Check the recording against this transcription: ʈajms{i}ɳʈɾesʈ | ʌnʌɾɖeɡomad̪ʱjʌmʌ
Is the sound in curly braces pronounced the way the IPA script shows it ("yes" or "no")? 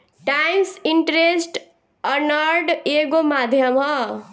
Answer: yes